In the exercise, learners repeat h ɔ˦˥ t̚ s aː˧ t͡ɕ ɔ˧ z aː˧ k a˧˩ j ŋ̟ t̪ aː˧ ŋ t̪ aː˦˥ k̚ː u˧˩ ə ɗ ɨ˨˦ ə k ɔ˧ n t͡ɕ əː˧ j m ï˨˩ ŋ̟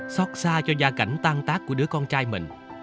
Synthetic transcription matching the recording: s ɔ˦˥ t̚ s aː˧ t͡ɕ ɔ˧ z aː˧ k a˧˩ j ŋ̟ t̪ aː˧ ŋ t̪ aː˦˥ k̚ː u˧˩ ə ɗ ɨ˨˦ ə k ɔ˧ n t͡ɕ aː˧ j m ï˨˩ ŋ̟